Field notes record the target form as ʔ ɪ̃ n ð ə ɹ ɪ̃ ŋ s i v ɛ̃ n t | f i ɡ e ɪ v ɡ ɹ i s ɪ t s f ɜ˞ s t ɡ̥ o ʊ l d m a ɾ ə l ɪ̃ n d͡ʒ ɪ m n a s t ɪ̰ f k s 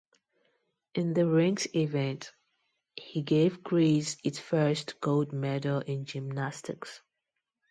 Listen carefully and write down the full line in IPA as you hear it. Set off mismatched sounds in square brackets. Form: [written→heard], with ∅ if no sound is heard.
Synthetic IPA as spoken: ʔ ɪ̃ n ð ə ɹ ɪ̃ ŋ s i v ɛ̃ n t | [f→h] i ɡ e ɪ v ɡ ɹ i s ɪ t s f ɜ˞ s t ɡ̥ o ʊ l d m [a→ɛ] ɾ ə l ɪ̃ n d͡ʒ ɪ m n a s t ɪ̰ [f→∅] k s